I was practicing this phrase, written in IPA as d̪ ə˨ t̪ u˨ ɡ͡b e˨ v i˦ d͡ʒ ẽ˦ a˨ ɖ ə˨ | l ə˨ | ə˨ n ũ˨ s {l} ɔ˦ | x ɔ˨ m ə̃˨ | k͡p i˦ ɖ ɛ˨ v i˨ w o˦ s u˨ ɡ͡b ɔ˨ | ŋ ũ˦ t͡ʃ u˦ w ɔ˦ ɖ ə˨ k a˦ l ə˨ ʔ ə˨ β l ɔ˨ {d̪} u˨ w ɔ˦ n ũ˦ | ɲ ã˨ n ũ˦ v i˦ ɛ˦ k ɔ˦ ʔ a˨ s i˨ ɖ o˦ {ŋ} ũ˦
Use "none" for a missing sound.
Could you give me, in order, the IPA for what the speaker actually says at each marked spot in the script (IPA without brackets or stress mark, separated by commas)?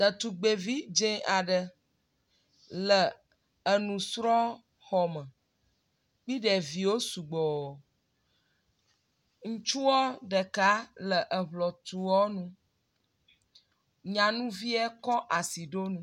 ɾ, t̪, n